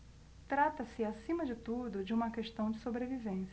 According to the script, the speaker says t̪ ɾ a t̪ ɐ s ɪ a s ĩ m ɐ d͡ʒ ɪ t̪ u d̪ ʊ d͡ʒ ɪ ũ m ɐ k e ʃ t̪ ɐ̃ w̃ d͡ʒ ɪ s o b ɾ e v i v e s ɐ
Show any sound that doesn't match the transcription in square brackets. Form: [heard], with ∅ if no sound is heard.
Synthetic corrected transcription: t̪ ɾ a t̪ ɐ s ɪ a s ĩ m ɐ d͡ʒ ɪ t̪ u d̪ ʊ d͡ʒ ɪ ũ m ɐ k e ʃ t̪ ɐ̃ w̃ d͡ʒ ɪ s o b ɾ e v i v [ẽ] s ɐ